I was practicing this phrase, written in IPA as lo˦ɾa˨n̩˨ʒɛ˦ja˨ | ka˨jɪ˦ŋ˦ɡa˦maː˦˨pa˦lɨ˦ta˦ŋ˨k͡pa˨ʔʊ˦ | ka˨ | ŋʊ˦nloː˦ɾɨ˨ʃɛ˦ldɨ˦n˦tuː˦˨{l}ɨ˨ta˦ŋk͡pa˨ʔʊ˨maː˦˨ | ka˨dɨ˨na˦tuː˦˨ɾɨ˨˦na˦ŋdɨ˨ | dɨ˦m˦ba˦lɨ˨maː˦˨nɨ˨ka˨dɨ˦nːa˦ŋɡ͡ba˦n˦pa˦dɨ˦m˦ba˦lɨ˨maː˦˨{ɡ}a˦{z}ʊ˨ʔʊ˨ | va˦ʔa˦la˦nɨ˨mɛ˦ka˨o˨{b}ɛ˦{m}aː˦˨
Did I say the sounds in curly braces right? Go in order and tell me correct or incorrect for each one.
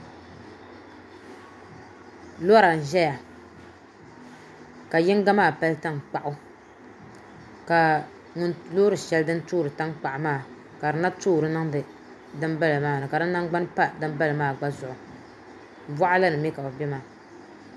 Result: incorrect: ɾ, incorrect: ɡ͡b, correct, correct, correct

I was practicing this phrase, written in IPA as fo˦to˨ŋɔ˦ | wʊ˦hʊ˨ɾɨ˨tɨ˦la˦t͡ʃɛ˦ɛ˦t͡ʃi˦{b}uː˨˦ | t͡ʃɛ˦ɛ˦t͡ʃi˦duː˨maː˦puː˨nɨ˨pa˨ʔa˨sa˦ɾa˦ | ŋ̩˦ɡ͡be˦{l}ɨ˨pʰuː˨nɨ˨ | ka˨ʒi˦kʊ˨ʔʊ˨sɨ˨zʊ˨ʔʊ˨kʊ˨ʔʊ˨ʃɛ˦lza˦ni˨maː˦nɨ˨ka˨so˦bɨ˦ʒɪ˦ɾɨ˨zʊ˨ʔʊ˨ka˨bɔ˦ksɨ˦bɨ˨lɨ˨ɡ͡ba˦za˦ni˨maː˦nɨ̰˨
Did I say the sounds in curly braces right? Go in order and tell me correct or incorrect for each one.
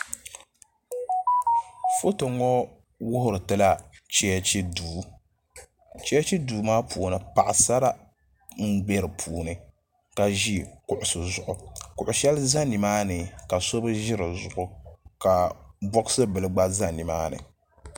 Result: incorrect: d, incorrect: ɾ

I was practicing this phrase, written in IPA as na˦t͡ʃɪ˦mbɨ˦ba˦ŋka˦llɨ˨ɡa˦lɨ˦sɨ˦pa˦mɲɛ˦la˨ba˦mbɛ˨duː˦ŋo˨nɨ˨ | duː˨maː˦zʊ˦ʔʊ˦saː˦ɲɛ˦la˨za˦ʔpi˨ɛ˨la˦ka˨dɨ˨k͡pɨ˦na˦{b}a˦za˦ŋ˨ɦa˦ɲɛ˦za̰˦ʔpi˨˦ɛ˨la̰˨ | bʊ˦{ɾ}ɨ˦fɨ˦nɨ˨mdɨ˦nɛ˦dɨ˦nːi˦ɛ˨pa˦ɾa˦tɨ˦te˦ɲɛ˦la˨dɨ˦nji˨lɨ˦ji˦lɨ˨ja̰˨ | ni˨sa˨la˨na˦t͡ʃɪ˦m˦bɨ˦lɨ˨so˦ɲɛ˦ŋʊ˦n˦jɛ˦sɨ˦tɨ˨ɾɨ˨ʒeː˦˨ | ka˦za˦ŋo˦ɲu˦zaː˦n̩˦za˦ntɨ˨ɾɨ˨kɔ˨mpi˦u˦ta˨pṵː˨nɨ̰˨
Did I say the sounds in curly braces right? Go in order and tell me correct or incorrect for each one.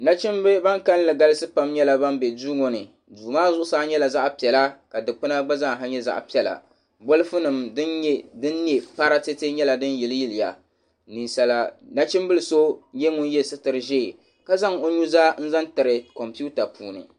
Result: incorrect: ɡ͡b, incorrect: l

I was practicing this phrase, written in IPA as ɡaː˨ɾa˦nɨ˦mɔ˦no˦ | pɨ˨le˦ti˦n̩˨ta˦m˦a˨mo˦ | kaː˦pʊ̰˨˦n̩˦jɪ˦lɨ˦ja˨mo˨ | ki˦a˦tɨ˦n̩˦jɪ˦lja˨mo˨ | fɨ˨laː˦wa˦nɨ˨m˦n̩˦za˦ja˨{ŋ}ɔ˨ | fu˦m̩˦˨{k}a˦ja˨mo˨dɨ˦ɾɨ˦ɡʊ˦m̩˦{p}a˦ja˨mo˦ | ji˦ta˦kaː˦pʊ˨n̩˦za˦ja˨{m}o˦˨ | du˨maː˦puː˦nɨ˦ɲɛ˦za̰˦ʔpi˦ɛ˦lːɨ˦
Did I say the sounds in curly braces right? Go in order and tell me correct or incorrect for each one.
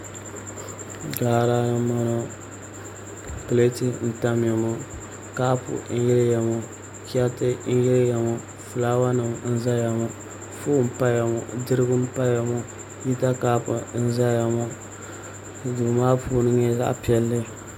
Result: incorrect: m, incorrect: p, correct, correct

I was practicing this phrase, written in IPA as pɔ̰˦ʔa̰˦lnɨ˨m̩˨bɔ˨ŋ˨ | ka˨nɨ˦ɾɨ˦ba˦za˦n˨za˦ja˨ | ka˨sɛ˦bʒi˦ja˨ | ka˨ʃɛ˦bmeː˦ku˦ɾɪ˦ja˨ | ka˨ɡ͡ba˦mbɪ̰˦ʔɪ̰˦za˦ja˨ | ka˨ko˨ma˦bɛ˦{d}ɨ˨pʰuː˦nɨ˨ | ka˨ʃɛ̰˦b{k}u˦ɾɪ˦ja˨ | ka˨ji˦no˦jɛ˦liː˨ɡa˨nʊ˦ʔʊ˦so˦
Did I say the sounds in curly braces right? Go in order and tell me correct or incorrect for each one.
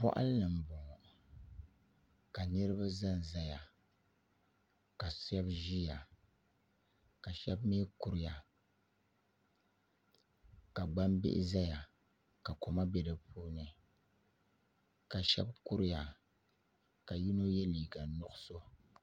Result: correct, correct

